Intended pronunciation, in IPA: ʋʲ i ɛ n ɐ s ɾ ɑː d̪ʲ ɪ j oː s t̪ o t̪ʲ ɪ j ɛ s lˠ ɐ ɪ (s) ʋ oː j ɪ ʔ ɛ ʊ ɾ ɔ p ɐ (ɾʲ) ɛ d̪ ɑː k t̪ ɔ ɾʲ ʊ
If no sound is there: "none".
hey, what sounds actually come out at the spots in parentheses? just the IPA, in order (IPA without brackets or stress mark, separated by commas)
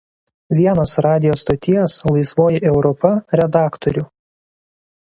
s, ɾʲ